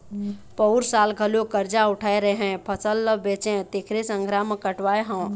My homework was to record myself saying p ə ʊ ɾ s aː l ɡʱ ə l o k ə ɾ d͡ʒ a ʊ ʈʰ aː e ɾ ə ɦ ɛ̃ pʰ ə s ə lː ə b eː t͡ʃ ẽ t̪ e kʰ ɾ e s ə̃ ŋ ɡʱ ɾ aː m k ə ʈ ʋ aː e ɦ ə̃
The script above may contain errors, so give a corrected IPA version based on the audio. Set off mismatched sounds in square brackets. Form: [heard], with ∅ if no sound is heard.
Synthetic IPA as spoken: p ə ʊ ɾ s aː l ɡʱ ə l o k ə ɾ d͡ʒ a ʊ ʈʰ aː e ɾ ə ɦ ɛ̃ pʰ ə s ə lː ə b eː t͡ʃ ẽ t̪ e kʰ ɾ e s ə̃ ŋ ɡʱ ɾ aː m k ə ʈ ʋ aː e ɦ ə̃